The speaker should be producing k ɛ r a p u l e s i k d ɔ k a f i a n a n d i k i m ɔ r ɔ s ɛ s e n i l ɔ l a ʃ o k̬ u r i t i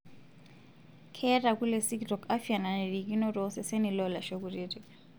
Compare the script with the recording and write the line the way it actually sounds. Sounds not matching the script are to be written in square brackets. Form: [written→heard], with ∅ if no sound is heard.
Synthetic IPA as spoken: [k→kʰ] ɛ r a [p→k] u l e s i k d ɔ k a f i a n a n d i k i [m→n] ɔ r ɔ s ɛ s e n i l ɔ l a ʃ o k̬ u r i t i